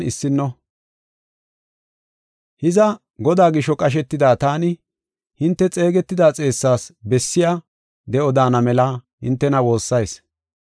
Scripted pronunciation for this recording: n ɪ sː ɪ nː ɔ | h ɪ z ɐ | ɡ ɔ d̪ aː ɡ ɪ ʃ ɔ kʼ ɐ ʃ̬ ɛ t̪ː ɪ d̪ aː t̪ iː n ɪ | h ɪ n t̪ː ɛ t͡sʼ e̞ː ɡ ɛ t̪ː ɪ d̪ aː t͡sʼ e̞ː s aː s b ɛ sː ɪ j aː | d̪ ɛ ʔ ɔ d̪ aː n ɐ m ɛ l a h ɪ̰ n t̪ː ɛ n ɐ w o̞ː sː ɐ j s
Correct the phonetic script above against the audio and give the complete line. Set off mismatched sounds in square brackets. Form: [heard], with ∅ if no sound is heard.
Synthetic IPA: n ɪ sː ɪ nː ɔ | h ɪ z ɐ | ɡ ɔ d̪ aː ɡ ɪ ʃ ɔ kʼ ɐ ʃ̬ ɛ t̪ː ɪ d̪ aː t̪ [aː] n ɪ | h ɪ n t̪ː ɛ t͡sʼ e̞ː ɡ ɛ t̪ː ɪ d̪ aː t͡sʼ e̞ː [sː] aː s b ɛ sː ɪ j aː | d̪ ɛ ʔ ɔ d̪ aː n ɐ m ɛ l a h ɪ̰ n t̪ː ɛ n ɐ w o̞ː sː ɐ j s